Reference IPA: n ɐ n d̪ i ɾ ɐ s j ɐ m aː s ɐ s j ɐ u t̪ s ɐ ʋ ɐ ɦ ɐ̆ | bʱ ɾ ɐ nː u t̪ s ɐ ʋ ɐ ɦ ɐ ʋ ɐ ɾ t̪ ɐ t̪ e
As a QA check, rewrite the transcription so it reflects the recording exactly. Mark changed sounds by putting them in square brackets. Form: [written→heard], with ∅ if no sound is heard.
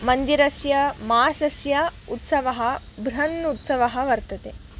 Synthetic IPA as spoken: [n→m] ɐ n d̪ i ɾ ɐ s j ɐ m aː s ɐ s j ɐ u t̪ s ɐ ʋ ɐ ɦ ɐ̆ | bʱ ɾ ɐ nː u t̪ s ɐ ʋ ɐ ɦ ɐ ʋ ɐ ɾ t̪ ɐ t̪ e